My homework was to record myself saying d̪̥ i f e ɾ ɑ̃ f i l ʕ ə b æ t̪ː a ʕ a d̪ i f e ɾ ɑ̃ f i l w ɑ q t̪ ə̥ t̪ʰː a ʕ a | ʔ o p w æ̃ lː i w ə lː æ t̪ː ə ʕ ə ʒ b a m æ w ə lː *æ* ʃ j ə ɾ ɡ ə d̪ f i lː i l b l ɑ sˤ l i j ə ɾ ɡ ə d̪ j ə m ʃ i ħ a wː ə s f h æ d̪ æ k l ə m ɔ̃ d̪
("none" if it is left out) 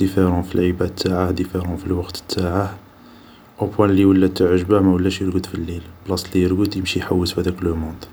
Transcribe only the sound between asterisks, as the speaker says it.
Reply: æ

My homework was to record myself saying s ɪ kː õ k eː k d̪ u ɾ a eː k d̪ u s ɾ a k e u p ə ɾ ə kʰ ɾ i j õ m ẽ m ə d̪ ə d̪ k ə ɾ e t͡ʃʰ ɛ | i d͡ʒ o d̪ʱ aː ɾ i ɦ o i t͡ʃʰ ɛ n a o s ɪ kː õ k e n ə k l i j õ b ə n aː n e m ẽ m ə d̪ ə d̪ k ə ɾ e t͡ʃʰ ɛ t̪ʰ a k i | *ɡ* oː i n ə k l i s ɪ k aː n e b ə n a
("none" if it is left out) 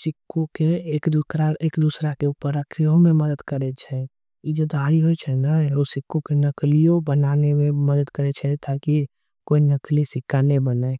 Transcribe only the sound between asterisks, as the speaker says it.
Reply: k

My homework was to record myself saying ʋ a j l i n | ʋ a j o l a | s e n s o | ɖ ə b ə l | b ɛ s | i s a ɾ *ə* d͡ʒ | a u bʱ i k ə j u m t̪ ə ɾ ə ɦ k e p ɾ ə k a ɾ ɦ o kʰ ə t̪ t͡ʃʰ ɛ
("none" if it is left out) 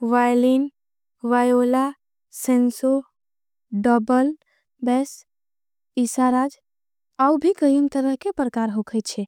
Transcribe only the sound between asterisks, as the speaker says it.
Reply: a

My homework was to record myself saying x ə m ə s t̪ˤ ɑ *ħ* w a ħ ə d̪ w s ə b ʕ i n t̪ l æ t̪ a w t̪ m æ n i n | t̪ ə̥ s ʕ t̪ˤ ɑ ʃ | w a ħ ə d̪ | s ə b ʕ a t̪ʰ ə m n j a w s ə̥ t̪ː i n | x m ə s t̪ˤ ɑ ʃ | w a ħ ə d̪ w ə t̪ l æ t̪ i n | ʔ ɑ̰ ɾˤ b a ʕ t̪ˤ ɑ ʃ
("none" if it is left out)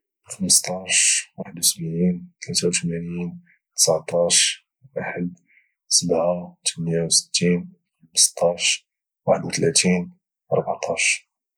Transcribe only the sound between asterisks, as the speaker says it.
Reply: ʃ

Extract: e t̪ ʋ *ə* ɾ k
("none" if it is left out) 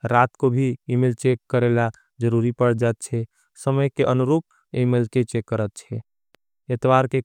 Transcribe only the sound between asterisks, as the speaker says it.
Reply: a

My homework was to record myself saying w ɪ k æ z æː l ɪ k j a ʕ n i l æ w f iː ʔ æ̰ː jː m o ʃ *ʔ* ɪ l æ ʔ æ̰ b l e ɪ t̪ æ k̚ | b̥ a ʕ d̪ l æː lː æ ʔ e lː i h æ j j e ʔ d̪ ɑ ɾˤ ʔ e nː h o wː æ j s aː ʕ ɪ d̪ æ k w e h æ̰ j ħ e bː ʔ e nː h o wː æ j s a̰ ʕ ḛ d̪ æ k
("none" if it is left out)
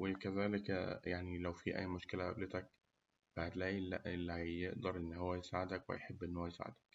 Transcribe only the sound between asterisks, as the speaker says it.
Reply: k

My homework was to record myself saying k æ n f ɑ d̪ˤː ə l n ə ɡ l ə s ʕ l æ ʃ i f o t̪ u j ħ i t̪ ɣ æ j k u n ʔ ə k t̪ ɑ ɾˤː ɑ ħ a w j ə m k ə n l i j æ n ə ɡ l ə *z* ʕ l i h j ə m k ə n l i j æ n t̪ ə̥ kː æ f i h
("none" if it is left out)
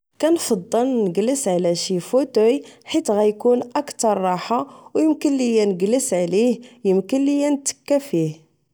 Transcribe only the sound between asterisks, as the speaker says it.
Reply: s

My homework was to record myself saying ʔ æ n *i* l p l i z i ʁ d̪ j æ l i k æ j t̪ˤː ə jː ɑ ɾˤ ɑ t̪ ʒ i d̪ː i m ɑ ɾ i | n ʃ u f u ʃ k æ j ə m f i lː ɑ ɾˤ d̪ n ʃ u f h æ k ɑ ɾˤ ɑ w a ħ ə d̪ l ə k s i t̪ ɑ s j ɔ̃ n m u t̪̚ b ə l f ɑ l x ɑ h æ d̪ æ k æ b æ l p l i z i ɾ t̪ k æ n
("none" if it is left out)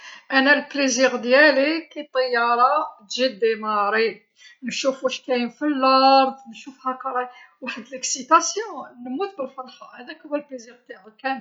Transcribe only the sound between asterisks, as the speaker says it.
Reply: æ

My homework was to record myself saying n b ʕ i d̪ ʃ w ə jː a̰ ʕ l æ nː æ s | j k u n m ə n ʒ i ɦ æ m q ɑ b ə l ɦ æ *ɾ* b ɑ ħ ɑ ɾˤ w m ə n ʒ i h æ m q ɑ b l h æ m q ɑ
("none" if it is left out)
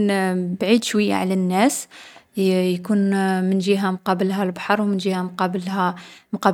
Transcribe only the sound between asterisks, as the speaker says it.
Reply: l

